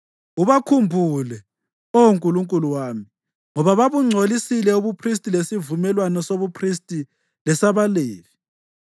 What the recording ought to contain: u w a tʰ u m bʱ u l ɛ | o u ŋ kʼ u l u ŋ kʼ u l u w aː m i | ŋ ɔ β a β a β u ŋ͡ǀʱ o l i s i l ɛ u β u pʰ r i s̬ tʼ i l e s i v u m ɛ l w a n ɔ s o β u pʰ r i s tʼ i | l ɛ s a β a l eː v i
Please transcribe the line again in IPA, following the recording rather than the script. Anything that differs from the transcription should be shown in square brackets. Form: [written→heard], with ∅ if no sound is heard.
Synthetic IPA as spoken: u [w→β] a [tʰ→kʰ] u m bʱ u l ɛ | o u ŋ kʼ u l u ŋ kʼ u l u w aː m i | ŋ ɔ β a β a β u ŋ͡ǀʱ o l i s i l ɛ u β u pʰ r i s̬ tʼ i l e s i v u m ɛ l w a n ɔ s o β u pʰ r i s tʼ i | l ɛ s a β a l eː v i

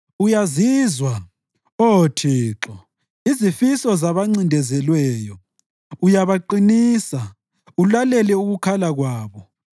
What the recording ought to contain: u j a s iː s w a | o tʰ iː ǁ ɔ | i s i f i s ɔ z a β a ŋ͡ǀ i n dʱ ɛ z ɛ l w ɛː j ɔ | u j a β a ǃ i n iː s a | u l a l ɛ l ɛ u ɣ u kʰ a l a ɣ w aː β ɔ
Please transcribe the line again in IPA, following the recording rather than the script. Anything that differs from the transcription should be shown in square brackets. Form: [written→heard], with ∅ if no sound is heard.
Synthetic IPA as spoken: u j a [s→z] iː [s→z] w a | o tʰ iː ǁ ɔ | i [s→z] i f i s ɔ z a β a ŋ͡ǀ i n dʱ ɛ z ɛ l w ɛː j ɔ | u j a β a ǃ i n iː s a | u l a l ɛ l ɛ u ɣ u kʰ a l a ɣ w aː β ɔ

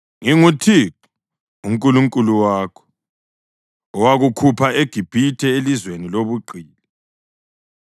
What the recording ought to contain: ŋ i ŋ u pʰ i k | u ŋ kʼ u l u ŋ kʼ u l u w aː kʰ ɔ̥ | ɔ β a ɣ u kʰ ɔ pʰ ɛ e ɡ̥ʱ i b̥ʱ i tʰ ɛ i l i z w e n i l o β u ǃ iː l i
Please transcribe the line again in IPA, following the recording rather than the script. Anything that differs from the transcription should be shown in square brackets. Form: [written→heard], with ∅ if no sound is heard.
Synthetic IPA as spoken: ŋ i ŋ u [pʰ→tʰ] i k | u ŋ kʼ u l u ŋ kʼ u l u w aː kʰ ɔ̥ | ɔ [β→w] a ɣ u kʰ [ɔ→u] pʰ [ɛ→a] e ɡ̥ʱ i b̥ʱ i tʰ ɛ [i→e] l i z w e n i l o β u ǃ iː l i

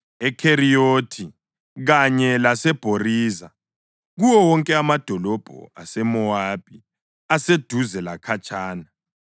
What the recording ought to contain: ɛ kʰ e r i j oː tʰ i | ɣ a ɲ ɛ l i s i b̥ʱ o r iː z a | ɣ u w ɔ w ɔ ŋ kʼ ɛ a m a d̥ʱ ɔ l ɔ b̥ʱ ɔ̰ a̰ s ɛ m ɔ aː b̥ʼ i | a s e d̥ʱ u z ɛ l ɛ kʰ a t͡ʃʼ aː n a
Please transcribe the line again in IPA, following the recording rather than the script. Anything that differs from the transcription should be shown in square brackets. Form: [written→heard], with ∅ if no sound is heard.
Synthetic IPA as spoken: ɛ kʰ e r i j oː tʰ i | ɣ a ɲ ɛ l [i→a] s [i→ɛ] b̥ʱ o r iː z a | ɣ u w ɔ w ɔ ŋ kʼ ɛ a m a d̥ʱ ɔ l ɔ b̥ʱ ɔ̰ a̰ s ɛ m ɔ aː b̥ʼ i | a s e d̥ʱ u z ɛ l [ɛ→a] kʰ a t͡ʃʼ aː n a

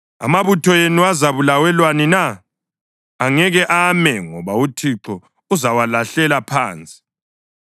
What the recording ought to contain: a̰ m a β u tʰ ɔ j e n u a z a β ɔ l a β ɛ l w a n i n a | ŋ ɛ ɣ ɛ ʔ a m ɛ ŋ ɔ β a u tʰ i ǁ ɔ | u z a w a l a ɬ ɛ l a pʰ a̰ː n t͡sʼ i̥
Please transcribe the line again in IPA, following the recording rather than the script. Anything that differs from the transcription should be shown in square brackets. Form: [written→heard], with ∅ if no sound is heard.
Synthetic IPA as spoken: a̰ m a β u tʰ ɔ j e n u a z a β [ɔ→u] l a [β→w] ɛ l w a n i n a | ŋ ɛ ɣ ɛ ʔ a m ɛ ŋ ɔ β a u tʰ i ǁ ɔ | u z a w a l a ɬ ɛ l a pʰ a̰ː n t͡sʼ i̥

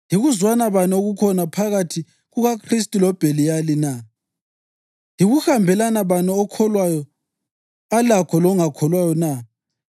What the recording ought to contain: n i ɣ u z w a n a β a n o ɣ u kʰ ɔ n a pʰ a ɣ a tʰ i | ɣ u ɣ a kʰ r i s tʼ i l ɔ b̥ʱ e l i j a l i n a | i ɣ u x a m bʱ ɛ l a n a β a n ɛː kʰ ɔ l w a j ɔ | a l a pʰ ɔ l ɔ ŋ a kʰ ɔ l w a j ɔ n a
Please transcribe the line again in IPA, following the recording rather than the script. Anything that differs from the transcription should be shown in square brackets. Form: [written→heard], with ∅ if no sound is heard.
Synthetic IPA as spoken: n i ɣ u z w a n a β a n o ɣ u kʰ ɔ n a pʰ a ɣ a tʰ i | ɣ u ɣ a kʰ r i s tʼ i l ɔ b̥ʱ e l i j a l i n a | i ɣ u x a m bʱ ɛ l a n a β a n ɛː kʰ ɔ l w a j ɔ | a l a [pʰ→kʰ] ɔ l ɔ ŋ a kʰ ɔ l w a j ɔ n a

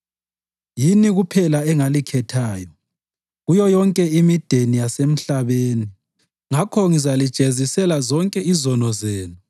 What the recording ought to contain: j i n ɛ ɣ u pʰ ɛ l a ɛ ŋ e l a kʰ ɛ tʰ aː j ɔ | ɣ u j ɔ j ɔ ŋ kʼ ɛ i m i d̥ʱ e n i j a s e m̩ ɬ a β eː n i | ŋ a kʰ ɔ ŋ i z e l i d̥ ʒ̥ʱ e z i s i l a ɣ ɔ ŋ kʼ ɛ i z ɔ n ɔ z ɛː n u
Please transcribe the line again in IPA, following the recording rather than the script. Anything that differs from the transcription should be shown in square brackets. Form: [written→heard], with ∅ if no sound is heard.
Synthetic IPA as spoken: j i n [ɛ→i] ɣ u pʰ ɛ l a ɛ ŋ [e→a] l [a→i] kʰ ɛ tʰ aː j ɔ | ɣ u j ɔ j ɔ ŋ kʼ ɛ i m i d̥ʱ e n i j a s e m̩ ɬ a β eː n i | ŋ a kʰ ɔ ŋ i z [e→a] l i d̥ ʒ̥ʱ e z i s [i→ɛ] l a [ɣ→z] ɔ ŋ kʼ ɛ i z ɔ n ɔ z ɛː n u

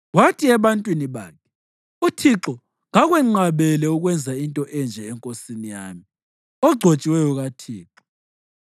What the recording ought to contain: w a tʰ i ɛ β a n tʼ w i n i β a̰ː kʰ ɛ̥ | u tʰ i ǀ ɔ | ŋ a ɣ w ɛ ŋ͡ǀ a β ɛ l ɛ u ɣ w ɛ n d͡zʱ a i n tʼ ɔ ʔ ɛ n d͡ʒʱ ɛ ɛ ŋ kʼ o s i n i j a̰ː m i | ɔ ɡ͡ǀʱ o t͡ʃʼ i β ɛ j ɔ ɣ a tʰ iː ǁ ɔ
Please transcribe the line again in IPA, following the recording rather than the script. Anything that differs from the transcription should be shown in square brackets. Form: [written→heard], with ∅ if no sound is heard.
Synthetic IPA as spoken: w a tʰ i ɛ β a n tʼ w i n i β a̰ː kʰ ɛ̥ | u tʰ i [ǀ→ǁ] ɔ | ŋ a ɣ w ɛ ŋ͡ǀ a β ɛ l ɛ u ɣ w ɛ n d͡zʱ a i n tʼ ɔ ʔ ɛ n d͡ʒʱ ɛ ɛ ŋ kʼ o s i n i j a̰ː m i | ɔ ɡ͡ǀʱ o t͡ʃʼ i [β→w] ɛ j ɔ ɣ a tʰ iː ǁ ɔ

